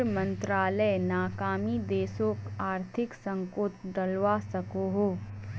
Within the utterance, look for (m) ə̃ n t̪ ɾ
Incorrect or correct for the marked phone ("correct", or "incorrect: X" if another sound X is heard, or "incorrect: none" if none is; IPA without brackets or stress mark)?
correct